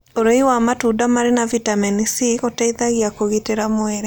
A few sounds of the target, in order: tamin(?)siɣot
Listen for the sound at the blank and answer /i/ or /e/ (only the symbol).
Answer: i